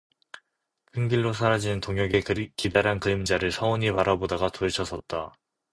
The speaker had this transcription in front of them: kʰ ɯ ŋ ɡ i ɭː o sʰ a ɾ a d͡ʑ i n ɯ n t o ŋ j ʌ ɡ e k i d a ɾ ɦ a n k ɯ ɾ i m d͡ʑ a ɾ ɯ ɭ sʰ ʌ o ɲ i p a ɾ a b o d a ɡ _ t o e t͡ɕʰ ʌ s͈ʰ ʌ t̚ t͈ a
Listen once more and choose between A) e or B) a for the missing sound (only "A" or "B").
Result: B